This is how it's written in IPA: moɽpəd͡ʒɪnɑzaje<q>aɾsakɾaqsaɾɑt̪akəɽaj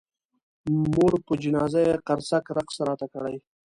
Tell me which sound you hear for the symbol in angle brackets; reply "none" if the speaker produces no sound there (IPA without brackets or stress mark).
q